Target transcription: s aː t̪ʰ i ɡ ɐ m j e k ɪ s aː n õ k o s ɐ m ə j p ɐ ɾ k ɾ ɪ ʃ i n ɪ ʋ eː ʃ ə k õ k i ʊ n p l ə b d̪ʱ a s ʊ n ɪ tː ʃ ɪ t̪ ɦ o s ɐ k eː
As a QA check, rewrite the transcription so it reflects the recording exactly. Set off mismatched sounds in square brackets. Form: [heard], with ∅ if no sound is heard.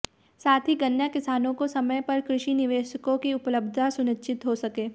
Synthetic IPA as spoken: s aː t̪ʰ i ɡ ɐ [n] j [a] k ɪ s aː n õ k o s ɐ m ə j p ɐ ɾ k ɾ ɪ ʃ i n ɪ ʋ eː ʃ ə k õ k i ʊ [∅] p l ə b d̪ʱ a s ʊ n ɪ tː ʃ ɪ t̪ ɦ o s ɐ k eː